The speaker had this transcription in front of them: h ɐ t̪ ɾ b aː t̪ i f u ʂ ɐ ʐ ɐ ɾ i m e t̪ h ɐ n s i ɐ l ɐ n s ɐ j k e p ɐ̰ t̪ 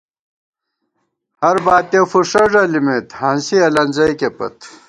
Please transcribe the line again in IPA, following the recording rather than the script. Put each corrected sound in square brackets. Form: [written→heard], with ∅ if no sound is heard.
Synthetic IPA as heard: h ɐ [t̪→∅] ɾ b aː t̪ [i→e] f u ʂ ɐ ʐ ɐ [ɾ→l] i m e t̪ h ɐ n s i ɐ l ɐ n [s→z] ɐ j k e p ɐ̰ t̪